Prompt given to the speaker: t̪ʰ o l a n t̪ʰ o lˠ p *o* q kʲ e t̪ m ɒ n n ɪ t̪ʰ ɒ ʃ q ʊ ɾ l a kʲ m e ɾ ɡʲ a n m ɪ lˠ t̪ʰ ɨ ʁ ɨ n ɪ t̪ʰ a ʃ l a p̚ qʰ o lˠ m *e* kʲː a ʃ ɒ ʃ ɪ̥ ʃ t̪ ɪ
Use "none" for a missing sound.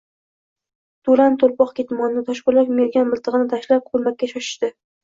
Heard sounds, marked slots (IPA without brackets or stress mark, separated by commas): ɒ, a